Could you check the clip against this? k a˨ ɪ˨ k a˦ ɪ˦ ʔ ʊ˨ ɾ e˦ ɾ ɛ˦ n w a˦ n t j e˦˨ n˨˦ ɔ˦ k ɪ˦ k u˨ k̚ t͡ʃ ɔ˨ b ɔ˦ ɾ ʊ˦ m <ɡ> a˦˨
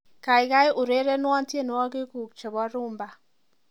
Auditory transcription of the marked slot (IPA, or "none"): b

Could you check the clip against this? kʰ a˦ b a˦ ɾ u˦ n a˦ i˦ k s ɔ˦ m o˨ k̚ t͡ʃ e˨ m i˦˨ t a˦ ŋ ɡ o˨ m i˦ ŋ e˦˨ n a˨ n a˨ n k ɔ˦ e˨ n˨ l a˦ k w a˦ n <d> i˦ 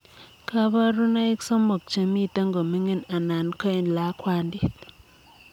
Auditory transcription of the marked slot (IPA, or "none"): d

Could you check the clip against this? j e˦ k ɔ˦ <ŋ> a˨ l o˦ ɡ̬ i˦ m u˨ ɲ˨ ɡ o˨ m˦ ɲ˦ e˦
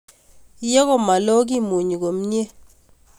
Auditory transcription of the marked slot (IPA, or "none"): m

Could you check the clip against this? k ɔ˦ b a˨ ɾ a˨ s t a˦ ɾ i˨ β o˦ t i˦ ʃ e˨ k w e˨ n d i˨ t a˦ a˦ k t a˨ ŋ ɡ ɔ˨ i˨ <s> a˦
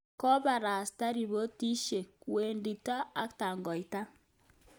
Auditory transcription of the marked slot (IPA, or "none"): t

